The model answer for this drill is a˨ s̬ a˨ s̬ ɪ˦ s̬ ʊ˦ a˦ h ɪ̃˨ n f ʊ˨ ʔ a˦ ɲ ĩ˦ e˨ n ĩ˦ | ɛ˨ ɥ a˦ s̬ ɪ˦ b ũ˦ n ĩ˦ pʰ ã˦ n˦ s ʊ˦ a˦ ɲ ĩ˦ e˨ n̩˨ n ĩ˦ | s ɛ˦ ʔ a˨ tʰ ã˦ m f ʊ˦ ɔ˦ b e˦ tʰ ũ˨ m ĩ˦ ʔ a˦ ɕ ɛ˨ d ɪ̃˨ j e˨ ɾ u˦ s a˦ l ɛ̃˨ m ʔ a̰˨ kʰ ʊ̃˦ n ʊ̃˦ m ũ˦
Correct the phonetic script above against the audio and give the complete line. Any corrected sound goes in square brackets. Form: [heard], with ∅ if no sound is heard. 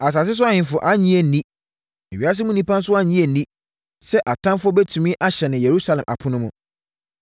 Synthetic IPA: a˨ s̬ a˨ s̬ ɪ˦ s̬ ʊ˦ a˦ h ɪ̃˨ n f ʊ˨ ʔ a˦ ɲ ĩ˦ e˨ n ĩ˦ | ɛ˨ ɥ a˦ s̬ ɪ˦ [m] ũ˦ n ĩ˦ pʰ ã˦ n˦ s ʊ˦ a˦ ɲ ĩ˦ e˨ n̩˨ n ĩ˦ | s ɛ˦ ʔ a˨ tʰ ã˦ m f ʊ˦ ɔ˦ b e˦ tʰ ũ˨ m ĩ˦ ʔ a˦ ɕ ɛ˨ [n] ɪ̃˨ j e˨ ɾ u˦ s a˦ l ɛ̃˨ m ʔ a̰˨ [pʰ] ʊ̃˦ n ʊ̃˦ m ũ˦